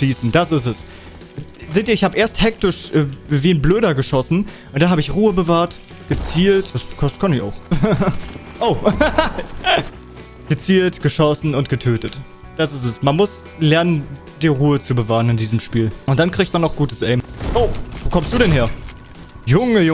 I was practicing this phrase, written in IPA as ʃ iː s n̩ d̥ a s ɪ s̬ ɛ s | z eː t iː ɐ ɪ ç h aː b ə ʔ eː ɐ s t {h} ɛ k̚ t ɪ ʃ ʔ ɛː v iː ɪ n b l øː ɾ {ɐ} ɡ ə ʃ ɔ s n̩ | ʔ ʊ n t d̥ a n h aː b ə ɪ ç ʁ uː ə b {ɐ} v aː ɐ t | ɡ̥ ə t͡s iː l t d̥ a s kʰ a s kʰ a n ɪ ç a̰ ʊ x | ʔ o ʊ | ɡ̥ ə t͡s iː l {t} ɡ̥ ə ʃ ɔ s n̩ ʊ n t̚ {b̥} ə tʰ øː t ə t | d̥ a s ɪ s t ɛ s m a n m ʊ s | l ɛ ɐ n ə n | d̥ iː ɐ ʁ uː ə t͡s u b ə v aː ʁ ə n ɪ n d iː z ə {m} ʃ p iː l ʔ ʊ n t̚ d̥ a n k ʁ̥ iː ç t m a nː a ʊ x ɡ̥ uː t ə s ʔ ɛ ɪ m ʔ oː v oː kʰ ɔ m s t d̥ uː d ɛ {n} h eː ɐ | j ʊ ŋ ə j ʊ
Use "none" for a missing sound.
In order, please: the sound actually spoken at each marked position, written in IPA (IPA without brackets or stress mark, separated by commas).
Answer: h, ɐ, ə, t, ɡ̥, m, n